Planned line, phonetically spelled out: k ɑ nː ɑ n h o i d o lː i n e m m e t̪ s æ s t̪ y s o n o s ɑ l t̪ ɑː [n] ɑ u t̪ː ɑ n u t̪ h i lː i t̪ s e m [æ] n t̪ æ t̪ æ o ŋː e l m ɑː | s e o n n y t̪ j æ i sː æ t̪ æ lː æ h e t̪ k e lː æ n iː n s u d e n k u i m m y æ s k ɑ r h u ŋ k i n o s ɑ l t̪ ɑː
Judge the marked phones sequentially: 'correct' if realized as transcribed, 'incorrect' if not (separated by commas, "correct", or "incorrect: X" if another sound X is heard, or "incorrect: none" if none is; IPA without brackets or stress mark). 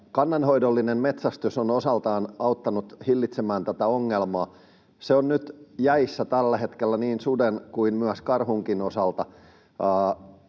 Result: correct, incorrect: æː